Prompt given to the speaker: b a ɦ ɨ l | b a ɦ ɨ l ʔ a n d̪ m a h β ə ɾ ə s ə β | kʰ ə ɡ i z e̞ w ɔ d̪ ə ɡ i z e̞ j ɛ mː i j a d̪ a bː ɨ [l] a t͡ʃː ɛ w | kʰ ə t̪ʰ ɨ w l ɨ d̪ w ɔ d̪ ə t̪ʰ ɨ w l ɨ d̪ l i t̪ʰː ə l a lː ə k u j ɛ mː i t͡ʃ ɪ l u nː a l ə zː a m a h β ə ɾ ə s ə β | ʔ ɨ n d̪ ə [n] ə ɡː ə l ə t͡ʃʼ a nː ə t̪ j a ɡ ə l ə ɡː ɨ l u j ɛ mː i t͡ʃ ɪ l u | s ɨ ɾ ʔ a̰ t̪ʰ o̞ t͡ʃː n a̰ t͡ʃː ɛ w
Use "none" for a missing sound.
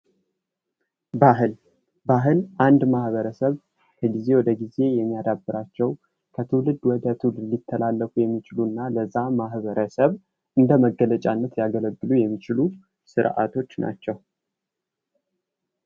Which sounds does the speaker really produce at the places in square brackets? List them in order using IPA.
ɾ, m

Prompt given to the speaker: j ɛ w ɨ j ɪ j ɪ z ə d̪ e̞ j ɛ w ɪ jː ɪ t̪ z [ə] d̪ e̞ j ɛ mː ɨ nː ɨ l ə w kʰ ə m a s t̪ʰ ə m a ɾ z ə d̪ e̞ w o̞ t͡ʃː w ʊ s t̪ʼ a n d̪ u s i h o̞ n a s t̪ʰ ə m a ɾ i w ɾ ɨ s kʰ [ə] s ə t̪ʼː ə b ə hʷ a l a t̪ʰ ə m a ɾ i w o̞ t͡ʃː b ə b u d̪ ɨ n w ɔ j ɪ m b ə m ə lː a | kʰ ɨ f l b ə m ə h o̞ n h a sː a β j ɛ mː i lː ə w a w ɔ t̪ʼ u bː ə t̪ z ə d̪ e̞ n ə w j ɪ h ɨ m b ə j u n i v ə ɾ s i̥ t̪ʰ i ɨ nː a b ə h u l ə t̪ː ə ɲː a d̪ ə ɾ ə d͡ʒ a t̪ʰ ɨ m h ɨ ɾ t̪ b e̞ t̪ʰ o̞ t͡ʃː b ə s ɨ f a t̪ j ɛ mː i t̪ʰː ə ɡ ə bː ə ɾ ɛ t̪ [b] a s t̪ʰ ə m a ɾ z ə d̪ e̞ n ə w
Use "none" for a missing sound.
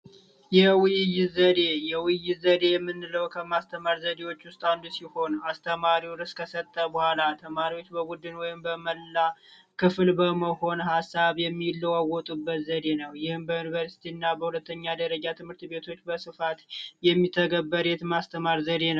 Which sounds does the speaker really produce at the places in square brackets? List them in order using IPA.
ə, ə, m

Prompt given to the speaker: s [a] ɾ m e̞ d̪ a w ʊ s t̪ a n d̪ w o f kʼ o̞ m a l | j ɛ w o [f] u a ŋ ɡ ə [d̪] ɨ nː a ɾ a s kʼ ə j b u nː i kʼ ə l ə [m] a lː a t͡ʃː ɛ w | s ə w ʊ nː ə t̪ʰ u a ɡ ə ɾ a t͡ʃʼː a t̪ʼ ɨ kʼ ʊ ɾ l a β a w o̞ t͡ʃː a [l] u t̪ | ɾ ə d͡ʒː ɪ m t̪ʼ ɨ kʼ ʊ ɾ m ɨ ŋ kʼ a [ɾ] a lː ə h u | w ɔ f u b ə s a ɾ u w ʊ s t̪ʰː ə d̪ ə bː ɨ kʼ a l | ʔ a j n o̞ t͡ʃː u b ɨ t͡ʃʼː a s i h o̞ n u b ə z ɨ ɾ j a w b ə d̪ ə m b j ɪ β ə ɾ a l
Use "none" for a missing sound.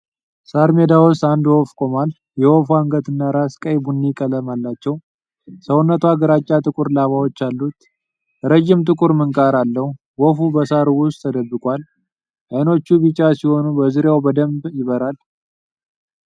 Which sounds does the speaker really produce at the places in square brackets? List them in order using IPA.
a, f, t̪, m, lː, ɾ

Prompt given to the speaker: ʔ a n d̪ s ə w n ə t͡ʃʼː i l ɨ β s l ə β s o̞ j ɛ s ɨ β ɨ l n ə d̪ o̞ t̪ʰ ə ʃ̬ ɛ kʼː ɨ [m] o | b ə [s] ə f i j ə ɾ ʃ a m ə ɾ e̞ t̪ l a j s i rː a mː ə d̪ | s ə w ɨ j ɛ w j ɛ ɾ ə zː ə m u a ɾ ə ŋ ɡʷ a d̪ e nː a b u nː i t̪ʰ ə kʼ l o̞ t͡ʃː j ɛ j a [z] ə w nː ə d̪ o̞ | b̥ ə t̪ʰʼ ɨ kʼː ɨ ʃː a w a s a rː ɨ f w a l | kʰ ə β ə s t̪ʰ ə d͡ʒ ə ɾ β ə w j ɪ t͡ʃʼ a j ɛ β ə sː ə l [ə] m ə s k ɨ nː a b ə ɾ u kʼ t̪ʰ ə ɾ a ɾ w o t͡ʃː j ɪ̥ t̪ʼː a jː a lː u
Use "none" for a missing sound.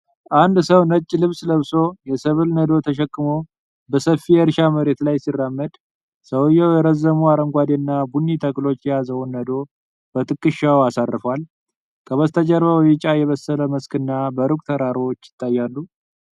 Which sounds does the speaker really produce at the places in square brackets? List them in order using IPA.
m, s, z, ə

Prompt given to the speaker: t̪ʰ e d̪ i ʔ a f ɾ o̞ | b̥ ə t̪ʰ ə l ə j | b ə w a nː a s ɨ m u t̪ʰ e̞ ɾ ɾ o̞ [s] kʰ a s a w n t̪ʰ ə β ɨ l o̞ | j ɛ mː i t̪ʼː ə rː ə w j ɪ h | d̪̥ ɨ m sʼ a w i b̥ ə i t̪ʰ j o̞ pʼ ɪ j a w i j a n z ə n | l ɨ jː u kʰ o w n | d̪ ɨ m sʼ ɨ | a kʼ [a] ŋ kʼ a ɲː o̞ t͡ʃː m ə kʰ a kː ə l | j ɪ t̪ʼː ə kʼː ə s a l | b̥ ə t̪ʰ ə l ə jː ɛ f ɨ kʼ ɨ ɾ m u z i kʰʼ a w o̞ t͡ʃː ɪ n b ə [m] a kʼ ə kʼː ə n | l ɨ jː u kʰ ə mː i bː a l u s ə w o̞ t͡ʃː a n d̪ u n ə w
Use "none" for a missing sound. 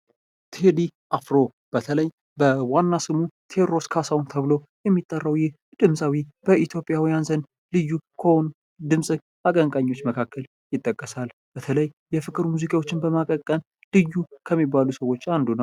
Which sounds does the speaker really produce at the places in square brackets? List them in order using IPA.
s, ə, m

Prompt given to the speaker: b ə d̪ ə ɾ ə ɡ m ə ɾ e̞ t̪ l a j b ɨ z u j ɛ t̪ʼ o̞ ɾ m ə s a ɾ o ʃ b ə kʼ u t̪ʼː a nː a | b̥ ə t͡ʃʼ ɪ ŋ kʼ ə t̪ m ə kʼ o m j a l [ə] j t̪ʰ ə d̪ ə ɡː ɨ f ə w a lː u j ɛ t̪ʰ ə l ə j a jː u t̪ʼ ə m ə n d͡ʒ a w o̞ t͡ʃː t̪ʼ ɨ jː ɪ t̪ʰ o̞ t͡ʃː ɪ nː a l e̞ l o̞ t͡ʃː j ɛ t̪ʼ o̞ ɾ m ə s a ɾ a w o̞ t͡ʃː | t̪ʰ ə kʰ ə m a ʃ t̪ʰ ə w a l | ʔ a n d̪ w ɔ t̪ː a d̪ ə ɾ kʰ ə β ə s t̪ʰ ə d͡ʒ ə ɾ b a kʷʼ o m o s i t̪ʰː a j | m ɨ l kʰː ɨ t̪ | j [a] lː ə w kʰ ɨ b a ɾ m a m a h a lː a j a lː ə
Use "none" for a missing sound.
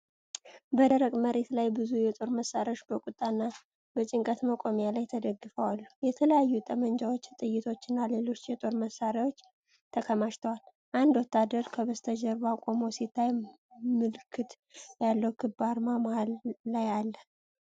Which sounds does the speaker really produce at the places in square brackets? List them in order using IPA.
a, a

